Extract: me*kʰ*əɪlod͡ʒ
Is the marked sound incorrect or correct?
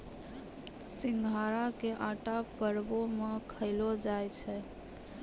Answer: correct